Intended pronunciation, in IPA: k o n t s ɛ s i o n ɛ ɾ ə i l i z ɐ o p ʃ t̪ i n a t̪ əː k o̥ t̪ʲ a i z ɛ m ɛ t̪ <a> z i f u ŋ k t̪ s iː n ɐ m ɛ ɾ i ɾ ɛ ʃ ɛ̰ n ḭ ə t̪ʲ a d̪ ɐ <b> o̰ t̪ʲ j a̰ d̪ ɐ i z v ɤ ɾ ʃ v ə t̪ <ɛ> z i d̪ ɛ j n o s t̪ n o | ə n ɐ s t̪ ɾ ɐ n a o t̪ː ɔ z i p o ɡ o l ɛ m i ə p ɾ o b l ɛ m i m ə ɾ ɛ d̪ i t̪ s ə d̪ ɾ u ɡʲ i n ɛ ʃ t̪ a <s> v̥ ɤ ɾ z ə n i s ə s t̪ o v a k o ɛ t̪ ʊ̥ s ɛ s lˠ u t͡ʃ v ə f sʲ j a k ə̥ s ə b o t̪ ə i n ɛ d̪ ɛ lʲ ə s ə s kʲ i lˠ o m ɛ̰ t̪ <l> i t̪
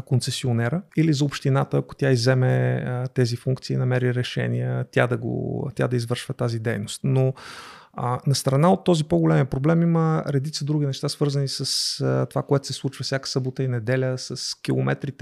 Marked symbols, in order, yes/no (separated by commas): no, no, no, yes, no